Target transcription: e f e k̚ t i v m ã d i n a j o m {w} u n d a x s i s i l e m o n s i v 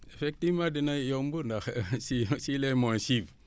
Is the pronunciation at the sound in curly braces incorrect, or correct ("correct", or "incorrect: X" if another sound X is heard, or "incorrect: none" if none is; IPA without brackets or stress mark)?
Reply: incorrect: b